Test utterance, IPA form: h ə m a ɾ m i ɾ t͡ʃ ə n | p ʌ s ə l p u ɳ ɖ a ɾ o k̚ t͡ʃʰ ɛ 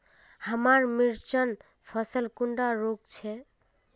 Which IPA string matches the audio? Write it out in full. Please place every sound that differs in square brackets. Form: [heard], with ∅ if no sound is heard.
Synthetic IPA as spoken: h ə m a ɾ m i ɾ t͡ʃ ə n | [pʰ] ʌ s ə l [k] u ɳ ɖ a ɾ o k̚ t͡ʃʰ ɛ